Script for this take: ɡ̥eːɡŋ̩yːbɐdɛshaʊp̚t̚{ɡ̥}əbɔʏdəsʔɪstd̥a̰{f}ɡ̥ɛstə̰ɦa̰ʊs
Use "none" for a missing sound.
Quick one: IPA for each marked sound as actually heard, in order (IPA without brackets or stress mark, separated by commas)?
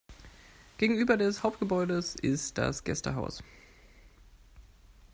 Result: ɡ̥, s